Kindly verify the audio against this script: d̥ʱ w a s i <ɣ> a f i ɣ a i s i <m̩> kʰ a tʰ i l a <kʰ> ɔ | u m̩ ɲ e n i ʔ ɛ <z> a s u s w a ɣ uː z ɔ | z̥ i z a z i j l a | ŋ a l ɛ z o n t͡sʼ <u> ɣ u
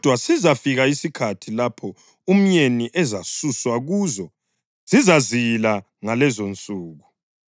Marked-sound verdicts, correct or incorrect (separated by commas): incorrect, incorrect, incorrect, correct, incorrect